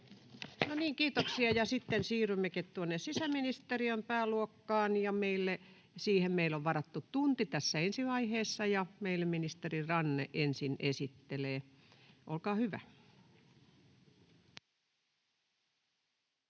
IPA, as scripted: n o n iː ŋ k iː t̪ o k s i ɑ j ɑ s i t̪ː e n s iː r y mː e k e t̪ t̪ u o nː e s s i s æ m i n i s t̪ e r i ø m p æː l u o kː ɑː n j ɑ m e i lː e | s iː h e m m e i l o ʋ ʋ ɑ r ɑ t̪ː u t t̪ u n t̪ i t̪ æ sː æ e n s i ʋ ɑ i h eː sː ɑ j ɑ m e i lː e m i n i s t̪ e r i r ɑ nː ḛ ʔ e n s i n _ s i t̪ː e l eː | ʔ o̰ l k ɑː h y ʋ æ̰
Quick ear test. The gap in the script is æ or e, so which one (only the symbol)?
e